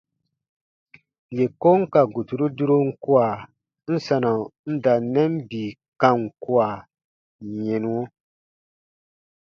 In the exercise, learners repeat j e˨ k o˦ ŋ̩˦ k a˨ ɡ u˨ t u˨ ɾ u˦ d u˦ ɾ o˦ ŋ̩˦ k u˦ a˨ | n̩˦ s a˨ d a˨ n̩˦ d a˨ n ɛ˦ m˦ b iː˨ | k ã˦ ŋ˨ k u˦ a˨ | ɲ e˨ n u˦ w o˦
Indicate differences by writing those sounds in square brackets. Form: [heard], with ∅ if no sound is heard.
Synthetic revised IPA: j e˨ k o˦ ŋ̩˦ k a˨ ɡ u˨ t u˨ ɾ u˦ d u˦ ɾ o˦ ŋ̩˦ k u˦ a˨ | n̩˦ s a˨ [n] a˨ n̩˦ d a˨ n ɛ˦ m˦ b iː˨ | k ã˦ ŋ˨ k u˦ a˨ | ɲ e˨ n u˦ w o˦